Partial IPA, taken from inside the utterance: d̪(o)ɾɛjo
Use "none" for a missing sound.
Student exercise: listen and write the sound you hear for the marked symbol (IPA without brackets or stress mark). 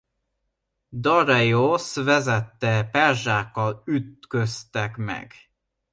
ɒ